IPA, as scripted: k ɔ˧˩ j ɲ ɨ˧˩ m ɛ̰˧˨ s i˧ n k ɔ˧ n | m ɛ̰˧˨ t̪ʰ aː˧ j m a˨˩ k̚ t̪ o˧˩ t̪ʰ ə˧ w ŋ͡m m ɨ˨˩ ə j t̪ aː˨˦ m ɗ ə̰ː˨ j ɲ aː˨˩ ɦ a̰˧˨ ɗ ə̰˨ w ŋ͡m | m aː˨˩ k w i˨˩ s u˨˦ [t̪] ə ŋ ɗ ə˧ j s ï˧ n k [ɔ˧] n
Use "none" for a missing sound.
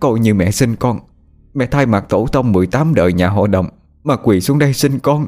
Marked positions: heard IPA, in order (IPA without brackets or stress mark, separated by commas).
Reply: none, ɔ˧